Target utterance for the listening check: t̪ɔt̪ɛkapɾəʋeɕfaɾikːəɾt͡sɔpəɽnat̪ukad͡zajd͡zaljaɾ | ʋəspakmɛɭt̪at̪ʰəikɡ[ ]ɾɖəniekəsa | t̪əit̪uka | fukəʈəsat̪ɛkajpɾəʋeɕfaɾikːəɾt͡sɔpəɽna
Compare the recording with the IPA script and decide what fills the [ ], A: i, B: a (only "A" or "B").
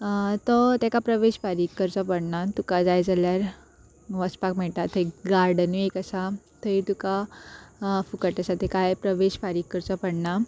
B